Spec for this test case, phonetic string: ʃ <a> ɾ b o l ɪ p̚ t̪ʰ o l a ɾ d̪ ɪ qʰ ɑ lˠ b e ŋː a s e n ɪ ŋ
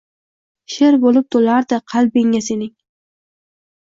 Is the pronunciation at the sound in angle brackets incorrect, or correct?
incorrect